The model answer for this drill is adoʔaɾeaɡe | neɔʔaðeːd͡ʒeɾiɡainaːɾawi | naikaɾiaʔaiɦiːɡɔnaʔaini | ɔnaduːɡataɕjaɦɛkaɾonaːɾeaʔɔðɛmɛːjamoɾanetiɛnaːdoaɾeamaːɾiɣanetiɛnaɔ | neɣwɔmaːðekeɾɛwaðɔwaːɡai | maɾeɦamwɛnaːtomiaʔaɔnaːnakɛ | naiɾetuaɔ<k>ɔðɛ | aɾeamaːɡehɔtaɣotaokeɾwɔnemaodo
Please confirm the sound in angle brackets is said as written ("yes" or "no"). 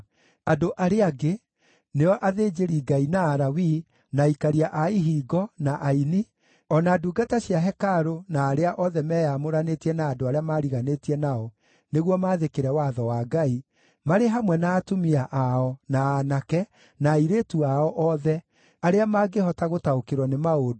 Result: no